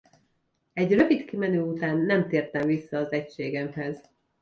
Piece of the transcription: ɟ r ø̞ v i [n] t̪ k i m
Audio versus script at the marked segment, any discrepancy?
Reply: yes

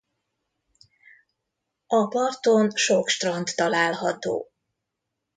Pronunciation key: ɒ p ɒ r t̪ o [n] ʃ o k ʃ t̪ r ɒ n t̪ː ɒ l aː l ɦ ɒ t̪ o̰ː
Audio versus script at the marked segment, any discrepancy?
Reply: no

